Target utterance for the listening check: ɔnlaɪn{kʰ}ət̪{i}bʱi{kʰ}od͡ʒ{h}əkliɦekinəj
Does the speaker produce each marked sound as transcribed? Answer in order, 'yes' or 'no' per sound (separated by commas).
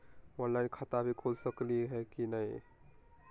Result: yes, no, yes, no